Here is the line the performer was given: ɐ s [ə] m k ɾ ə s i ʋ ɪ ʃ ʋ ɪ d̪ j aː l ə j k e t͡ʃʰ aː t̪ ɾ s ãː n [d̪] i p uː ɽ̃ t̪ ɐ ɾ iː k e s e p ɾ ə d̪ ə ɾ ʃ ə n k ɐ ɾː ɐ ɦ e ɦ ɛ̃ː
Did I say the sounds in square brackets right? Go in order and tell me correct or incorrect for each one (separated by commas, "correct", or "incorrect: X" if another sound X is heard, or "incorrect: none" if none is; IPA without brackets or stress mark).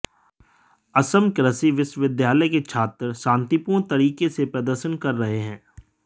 correct, incorrect: t̪